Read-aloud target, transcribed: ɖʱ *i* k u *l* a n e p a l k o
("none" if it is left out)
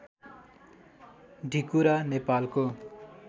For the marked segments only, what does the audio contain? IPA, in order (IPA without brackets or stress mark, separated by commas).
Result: i, ɾ